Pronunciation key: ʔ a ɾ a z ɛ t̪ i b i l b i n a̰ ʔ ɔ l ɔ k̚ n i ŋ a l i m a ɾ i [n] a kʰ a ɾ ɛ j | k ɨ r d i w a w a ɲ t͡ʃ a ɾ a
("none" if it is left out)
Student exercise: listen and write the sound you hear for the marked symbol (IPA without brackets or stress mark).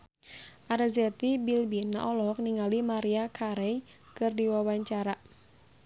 none